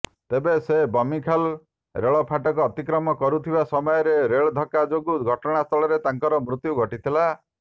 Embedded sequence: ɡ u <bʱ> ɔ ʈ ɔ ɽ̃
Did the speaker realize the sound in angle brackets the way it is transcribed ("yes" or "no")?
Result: no